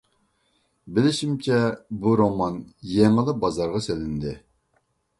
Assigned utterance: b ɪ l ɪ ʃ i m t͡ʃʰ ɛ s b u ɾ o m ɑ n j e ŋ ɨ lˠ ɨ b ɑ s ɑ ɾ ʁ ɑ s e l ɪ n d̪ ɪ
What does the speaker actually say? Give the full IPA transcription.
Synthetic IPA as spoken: b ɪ l ɪ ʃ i m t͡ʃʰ ɛ b u ɾ o m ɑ n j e ŋ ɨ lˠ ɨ b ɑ z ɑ ɾ ʁ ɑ s e l ɪ n d̪ ɪ